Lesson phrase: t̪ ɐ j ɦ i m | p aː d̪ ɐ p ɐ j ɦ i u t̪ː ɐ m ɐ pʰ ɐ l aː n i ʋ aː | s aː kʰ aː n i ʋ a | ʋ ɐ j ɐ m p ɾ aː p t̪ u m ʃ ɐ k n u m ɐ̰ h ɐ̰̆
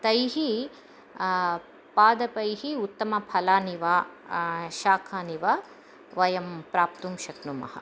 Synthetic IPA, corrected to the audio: t̪ ɐ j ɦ i | p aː d̪ ɐ p ɐ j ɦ i u t̪ː ɐ m ɐ pʰ ɐ l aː n i ʋ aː | ʃ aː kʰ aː n i ʋ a | ʋ ɐ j ɐ m p ɾ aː p t̪ u m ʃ ɐ k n u m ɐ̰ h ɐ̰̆